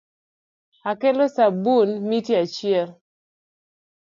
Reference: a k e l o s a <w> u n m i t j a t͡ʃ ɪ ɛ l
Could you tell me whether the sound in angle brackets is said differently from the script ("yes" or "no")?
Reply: yes